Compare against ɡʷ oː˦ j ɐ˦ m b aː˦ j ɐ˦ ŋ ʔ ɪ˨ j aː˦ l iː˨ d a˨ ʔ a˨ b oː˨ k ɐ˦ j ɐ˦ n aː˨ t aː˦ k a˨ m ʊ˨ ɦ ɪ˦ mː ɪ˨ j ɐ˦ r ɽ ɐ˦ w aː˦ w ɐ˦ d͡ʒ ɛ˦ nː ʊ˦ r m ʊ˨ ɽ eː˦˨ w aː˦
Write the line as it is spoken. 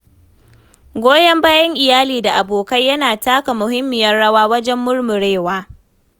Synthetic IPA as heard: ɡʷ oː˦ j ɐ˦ m b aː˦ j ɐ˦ ŋ ʔ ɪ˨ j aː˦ l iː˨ d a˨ ʔ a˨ b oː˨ k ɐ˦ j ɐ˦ n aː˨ t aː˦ k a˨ m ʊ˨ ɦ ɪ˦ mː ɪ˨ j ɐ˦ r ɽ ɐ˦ w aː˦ w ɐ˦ d͡ʒ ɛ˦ mː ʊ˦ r m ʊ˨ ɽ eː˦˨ w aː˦